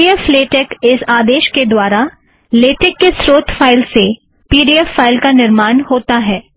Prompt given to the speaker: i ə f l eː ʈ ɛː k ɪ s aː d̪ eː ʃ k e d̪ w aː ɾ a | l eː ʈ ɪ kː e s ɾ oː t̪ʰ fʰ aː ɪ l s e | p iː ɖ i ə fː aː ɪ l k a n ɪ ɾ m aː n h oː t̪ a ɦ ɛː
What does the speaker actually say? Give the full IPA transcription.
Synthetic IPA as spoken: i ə f l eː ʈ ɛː k ɪ s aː d̪ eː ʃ k e d̪ w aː ɾ a | l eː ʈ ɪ kː e s ɾ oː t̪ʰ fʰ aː ɪ l s e | p iː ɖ i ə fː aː ɪ l k a n ɪ ɾ m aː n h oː t̪ a ɦ ɛː

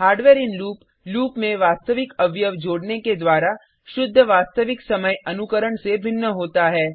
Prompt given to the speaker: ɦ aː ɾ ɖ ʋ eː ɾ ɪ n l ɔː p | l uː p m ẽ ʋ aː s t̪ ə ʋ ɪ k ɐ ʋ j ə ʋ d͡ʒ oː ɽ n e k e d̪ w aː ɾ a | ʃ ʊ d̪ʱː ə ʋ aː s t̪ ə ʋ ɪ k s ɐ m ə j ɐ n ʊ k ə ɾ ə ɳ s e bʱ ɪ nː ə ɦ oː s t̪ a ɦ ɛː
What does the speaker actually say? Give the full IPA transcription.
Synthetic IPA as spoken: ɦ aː ɾ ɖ ʋ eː ɾ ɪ n l uː p | l uː p m ẽ ʋ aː s t̪ ə ʋ ɪ k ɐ ʋ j ə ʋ d͡ʒ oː ɽ n e k e d̪ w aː ɾ a | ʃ ʊ d̪ʱː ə ʋ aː s t̪ ə ʋ ɪ k s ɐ m ə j ɐ n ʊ k ə ɾ ə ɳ s e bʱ ɪ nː ə ɦ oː t̪ a ɦ ɛː

